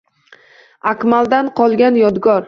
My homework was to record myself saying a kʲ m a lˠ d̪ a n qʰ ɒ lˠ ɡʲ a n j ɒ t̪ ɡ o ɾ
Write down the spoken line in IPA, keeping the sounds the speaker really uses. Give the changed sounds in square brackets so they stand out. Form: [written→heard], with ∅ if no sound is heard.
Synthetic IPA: a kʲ m a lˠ d̪ a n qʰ ɒ lˠ ɡʲ a n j ɒ [t̪→d̪] ɡ [o→ɒ] ɾ